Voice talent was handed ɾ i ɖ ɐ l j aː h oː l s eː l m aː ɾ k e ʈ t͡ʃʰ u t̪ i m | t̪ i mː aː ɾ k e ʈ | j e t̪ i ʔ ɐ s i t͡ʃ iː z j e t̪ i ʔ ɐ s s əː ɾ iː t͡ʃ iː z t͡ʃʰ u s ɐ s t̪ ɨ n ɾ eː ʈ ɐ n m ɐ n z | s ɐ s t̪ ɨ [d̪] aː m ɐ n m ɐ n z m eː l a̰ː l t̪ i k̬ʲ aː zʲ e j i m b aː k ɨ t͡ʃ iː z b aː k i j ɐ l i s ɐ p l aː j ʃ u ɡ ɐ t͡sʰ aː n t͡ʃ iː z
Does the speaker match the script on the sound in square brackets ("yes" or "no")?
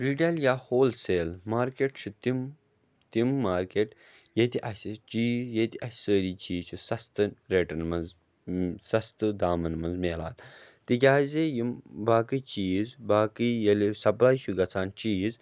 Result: yes